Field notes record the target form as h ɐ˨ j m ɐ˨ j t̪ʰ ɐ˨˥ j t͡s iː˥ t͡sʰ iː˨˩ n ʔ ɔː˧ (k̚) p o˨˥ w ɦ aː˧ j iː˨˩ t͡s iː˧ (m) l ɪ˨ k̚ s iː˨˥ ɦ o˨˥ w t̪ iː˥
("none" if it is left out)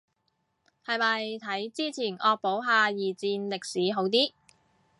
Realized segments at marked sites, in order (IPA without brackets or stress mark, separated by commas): k̚, n